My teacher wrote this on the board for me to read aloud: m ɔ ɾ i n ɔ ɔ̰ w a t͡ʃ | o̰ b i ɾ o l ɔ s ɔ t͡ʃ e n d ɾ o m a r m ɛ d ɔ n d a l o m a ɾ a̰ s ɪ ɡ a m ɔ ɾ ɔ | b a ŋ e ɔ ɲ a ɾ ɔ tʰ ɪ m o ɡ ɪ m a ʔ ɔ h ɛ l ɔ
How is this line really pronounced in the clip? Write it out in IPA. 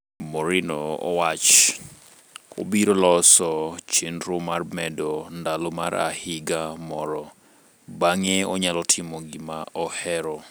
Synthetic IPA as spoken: m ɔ ɾ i n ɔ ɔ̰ w a t͡ʃ | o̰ b i ɾ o l ɔ s ɔ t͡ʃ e n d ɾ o m a r m ɛ d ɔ n d a l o m a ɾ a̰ h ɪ ɡ a m ɔ ɾ ɔ | b a ŋ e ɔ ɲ a l ɔ tʰ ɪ m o ɡ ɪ m a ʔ ɔ h ɛ ɾ ɔ

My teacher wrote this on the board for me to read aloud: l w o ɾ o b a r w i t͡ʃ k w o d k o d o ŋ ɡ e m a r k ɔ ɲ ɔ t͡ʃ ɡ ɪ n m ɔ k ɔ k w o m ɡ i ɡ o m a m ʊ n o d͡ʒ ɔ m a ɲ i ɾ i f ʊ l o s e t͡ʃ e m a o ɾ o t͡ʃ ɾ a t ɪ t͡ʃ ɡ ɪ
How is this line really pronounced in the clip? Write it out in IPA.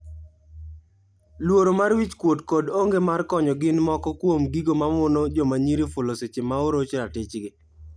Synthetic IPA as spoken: l w o ɾ o m a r w i t͡ʃ k w o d k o d o ŋ ɡ e m a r k ɔ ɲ ɔ ɡ ɪ n m ɔ k ɔ k w o m ɡ i ɡ o m a m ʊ n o d͡ʒ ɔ m a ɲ i ɾ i f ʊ l o s e t͡ʃ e m a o ɾ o t͡ʃ ɾ a t ɪ t͡ʃ ɡ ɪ

